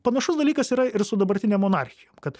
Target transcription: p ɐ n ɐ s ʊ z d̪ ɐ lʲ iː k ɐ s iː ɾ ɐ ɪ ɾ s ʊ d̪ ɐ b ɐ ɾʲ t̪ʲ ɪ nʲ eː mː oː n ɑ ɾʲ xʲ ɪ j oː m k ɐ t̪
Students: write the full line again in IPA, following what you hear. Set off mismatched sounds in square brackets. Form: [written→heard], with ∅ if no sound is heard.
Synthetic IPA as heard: p ɐ n ɐ [s→ʃ] ʊ [z→s] d̪ ɐ lʲ iː k ɐ s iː ɾ ɐ ɪ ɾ s ʊ d̪ ɐ b ɐ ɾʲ t̪ʲ ɪ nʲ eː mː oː n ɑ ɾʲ xʲ ɪ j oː m k ɐ t̪